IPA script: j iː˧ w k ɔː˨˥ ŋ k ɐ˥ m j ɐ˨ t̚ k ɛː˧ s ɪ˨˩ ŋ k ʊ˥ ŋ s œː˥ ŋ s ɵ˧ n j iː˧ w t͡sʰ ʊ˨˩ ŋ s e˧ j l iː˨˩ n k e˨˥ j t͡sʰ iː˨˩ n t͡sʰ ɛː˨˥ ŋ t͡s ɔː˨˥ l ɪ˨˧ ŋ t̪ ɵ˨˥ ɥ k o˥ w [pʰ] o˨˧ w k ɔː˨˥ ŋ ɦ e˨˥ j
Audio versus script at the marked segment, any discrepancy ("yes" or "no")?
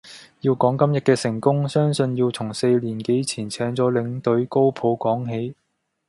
no